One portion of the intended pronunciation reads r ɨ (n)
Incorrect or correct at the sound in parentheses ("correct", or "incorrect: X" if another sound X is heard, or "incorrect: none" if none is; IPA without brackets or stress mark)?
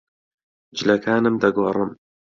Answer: incorrect: m